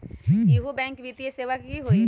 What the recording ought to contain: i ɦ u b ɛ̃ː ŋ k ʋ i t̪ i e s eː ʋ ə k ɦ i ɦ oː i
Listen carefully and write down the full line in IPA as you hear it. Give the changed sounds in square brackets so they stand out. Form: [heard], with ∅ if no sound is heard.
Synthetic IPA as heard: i ɦ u b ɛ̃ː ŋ k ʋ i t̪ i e s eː ʋ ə k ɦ i ɦ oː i